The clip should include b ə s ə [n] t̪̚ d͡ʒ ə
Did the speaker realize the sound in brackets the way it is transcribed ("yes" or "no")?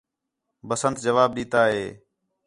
yes